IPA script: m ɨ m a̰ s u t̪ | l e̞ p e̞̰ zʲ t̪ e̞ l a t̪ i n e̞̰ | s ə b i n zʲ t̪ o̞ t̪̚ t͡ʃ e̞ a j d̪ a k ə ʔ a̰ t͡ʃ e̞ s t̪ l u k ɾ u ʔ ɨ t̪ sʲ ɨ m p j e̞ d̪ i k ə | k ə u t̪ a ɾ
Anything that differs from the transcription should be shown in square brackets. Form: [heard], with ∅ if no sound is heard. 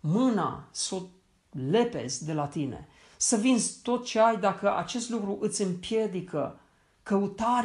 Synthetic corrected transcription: m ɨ [n] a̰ s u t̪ | l e̞ p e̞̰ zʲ [d̪] e̞ l a t̪ i n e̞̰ | s ə [v] i n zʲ t̪ o̞ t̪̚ t͡ʃ e̞ a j d̪ a k ə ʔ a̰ t͡ʃ e̞ s t̪ l u k ɾ u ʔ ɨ t̪ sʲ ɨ m p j e̞ d̪ i k ə | k ə u t̪ a ɾ